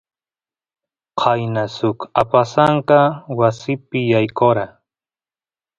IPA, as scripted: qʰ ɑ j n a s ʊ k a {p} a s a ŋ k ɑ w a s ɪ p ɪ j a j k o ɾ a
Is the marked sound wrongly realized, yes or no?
no